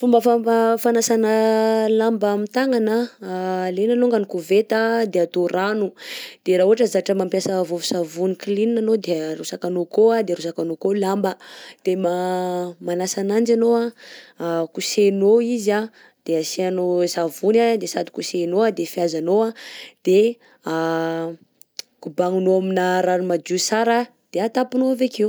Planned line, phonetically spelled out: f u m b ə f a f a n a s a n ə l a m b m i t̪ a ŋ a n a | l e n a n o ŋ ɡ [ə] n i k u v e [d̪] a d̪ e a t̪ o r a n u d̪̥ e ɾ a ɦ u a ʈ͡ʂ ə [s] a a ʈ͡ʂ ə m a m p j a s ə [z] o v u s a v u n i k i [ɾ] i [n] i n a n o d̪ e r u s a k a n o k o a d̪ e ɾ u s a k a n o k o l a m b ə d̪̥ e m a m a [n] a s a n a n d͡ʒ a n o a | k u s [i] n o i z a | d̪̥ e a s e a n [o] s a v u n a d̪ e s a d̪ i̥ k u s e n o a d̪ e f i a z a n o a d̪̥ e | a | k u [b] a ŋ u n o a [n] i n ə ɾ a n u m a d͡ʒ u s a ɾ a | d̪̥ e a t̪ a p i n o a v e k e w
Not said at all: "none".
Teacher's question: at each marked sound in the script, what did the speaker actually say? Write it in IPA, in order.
a, t̪, z, v, l, n, n, e, o, b, m

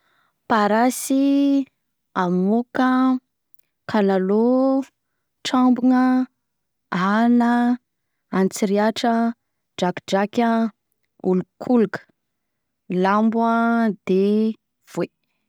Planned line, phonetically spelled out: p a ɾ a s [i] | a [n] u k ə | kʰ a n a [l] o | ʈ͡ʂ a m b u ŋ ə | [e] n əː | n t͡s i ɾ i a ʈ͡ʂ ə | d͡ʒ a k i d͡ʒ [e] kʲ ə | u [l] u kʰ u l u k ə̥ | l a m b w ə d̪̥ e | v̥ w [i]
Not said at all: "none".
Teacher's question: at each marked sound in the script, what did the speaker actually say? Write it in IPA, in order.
i, m, l, a, a, l, e

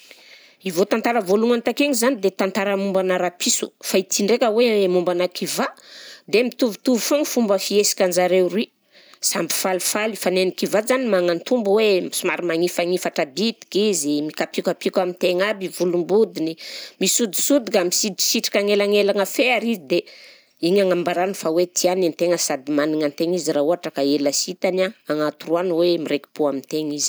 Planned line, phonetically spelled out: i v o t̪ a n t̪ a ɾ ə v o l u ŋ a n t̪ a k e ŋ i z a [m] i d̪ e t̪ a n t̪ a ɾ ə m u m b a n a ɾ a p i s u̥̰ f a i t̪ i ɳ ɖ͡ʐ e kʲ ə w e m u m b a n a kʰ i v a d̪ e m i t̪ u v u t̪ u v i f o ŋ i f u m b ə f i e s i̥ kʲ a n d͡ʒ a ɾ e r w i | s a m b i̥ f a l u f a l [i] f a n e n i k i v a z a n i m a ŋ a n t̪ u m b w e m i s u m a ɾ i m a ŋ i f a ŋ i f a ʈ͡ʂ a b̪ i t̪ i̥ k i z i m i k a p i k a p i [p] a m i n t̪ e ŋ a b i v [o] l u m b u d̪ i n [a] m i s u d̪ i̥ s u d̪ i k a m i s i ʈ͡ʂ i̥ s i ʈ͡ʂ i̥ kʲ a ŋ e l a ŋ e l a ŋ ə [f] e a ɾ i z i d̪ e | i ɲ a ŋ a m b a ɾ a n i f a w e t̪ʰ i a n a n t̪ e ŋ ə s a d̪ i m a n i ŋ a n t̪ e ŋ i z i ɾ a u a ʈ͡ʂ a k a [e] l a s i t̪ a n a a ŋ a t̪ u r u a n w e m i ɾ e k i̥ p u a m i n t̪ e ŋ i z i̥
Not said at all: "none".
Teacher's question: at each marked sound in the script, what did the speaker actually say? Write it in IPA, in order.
n, i, k, u, i, f, e

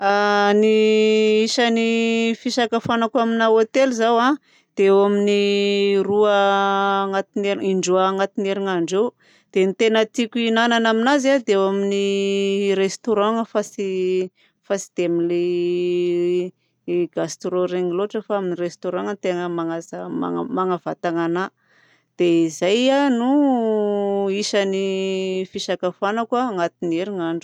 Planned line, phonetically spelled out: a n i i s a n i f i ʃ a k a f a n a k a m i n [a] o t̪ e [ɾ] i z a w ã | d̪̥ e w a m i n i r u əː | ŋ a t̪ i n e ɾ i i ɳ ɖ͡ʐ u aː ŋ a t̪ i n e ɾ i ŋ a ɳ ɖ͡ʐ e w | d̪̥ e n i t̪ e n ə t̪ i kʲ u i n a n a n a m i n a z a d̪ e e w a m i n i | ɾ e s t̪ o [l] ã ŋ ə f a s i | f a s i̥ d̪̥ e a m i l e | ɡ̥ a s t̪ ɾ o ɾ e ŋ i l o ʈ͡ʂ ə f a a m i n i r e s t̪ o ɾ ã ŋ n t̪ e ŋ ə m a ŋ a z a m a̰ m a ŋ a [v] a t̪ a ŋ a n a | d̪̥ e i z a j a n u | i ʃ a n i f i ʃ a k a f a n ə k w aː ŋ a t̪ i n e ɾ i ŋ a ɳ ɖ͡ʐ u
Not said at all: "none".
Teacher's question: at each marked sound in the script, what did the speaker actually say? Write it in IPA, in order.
a, l, ɾ, v

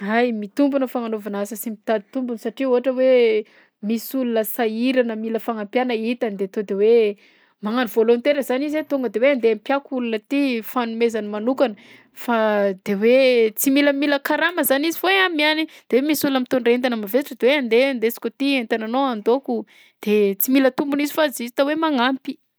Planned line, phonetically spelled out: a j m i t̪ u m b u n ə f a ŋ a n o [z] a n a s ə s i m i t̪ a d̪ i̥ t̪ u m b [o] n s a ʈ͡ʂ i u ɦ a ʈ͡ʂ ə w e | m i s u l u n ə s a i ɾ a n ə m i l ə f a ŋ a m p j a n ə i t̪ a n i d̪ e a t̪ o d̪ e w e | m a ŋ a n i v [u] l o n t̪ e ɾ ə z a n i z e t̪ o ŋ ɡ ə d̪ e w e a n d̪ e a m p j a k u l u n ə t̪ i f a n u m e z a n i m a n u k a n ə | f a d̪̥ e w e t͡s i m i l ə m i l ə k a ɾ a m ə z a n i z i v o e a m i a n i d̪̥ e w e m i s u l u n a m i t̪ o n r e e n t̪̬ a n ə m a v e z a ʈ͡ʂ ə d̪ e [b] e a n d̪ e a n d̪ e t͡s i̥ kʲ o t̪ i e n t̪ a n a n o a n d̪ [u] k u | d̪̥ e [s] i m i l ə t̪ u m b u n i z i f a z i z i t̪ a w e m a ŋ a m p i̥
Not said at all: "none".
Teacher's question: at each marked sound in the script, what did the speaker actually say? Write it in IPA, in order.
v, u, o, w, o, t͡s

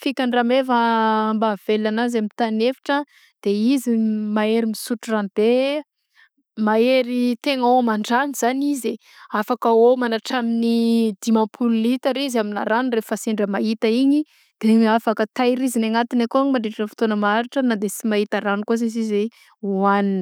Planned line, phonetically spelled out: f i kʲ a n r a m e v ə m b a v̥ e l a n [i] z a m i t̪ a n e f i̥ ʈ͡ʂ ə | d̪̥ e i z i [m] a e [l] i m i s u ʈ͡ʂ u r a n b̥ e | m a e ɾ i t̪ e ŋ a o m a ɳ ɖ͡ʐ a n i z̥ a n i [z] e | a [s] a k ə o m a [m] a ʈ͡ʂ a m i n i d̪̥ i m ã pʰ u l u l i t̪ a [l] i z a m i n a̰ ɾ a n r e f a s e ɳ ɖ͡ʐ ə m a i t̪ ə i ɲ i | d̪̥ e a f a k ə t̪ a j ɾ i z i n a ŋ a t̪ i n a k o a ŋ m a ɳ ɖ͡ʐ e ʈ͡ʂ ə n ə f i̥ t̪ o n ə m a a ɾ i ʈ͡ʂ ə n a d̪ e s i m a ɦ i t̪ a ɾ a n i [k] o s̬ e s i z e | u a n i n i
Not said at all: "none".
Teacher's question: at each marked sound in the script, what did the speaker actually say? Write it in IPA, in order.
a, m, ɾ, z, f, n, ɾ, k

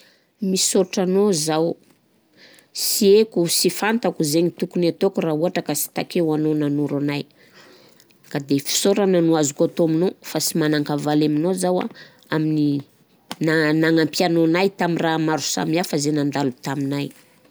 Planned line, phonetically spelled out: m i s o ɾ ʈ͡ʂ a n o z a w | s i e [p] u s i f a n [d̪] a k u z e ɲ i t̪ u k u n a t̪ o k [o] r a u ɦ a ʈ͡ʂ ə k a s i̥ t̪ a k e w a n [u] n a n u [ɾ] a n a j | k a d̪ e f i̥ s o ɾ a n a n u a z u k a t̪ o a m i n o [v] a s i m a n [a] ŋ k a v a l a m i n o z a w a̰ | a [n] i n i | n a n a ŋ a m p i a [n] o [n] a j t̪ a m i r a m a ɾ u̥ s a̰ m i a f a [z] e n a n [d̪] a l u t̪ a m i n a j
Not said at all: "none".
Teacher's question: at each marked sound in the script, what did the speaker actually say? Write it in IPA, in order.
k, t̪, u, o, ɾ, f, a, m, n, n, z, d̪

